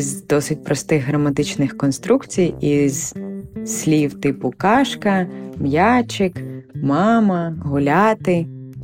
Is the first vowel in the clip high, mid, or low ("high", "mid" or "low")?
mid